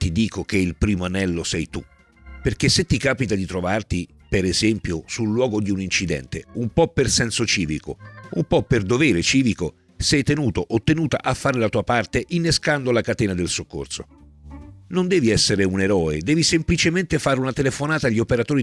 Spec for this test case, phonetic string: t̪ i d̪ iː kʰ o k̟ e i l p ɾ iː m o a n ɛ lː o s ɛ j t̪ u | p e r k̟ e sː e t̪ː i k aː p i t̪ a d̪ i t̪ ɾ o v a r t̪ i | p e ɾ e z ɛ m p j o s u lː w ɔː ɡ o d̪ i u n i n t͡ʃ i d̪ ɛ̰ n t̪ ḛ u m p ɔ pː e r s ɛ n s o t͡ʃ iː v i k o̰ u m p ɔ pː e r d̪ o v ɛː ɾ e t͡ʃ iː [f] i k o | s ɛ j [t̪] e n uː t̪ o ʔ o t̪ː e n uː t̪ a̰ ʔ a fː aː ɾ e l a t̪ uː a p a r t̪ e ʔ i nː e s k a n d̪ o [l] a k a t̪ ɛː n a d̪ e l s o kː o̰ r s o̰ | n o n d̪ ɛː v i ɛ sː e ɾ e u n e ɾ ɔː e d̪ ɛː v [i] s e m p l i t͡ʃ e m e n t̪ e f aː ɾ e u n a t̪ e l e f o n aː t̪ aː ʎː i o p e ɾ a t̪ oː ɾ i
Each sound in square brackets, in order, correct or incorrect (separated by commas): incorrect, correct, correct, correct